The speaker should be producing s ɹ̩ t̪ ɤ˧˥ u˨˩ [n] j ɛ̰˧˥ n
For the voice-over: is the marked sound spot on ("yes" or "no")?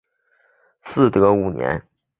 yes